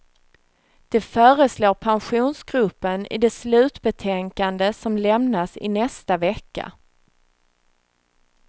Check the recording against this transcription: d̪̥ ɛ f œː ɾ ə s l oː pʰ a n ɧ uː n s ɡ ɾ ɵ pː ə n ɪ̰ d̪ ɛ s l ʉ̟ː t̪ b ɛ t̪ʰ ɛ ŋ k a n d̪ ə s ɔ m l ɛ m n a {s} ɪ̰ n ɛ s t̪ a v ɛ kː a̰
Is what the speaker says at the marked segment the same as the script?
yes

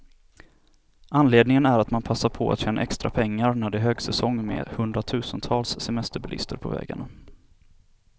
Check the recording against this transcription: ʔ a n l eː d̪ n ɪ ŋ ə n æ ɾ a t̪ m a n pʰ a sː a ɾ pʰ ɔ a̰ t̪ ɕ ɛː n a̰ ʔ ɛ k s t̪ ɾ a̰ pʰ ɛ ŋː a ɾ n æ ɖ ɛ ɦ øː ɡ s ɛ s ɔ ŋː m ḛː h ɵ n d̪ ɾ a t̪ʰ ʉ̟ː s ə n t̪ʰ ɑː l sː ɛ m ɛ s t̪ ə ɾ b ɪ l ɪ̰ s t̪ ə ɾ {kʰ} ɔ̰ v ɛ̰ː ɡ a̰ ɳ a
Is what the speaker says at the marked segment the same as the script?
no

